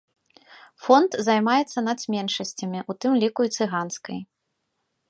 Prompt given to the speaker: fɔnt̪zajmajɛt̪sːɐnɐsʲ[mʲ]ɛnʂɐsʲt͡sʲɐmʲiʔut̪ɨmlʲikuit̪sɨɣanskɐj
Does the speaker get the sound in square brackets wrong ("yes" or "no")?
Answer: no